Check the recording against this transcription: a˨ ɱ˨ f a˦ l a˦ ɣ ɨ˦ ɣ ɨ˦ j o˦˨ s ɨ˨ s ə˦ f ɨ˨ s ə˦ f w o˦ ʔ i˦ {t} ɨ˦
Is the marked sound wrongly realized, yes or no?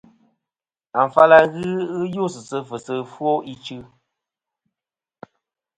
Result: yes